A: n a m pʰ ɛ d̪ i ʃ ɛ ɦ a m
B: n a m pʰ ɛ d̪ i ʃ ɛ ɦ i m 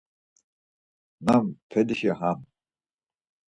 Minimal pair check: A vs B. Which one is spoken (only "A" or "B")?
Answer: A